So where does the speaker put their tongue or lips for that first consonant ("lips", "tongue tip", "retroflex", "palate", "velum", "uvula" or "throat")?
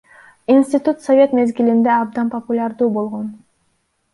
tongue tip